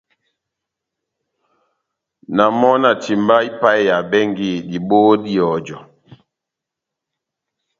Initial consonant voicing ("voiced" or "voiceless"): voiced